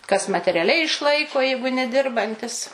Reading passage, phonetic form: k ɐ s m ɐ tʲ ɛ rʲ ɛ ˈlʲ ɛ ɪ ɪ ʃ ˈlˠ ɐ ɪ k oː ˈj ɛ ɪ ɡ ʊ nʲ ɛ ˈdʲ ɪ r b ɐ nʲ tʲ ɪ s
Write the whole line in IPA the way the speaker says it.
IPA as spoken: k ɐ s m ɐ tʲ ɛ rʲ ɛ ˈlʲ ɛ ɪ ɪ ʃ ˈlˠ ɐ ɪ k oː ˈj ɛ ɪ ɡ ʊ nʲ ɛ ˈdʲ ɪ r b ɐ nʲ tʲ ɪ s